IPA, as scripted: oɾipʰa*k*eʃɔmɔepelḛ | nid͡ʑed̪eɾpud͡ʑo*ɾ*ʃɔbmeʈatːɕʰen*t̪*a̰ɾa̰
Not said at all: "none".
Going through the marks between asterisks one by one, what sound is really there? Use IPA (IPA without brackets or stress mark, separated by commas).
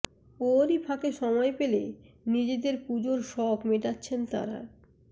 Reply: k, ɾ, t̪